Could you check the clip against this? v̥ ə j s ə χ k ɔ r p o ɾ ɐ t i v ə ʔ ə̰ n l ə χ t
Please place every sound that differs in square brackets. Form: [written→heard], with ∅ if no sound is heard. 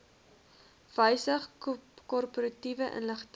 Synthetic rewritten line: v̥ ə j s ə χ k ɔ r p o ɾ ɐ t i v ə ʔ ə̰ n l ə χ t